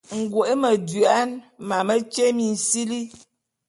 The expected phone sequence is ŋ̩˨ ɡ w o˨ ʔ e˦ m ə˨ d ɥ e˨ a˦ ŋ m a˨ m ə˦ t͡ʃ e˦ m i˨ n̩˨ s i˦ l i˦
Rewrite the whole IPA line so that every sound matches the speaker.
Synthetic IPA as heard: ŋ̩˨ ɡ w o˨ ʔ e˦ m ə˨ d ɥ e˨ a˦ n m a˨ m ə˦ t͡ʃ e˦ m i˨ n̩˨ s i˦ l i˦